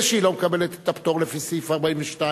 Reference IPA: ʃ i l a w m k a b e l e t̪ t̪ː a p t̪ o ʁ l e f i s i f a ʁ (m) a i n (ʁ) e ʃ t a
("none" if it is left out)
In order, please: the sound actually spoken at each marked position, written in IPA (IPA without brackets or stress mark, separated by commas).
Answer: b, v